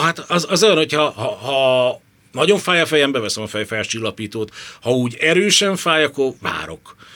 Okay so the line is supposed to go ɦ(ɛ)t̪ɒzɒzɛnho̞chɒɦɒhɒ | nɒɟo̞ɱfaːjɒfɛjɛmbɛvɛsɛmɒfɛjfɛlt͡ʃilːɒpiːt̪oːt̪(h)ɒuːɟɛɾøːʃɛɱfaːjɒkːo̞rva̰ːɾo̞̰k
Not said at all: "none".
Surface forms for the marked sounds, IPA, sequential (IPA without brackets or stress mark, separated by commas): a, h